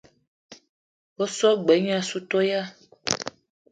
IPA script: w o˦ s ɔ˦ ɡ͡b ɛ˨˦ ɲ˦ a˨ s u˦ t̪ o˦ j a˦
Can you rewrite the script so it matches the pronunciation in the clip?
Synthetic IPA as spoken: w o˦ s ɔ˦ ɡ͡b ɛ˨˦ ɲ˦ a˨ s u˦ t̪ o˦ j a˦